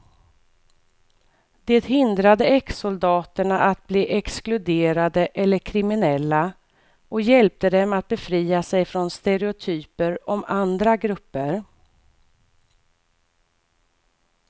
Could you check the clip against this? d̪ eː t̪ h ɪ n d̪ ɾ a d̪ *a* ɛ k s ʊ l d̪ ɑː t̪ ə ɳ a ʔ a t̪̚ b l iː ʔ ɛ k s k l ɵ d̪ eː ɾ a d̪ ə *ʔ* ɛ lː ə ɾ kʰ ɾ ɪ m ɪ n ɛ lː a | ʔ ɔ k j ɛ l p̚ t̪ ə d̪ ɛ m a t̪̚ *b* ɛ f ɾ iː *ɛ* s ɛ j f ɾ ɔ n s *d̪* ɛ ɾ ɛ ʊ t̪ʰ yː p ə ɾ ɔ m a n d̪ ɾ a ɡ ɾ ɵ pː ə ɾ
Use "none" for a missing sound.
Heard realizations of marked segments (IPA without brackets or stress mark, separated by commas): ə, ʔ, b, a, t̪